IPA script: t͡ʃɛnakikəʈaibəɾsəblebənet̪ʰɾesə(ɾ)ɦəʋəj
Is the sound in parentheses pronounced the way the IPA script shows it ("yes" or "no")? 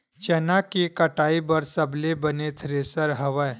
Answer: yes